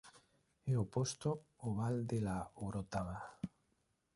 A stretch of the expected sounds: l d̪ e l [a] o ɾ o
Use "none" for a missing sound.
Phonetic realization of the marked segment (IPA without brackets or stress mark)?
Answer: a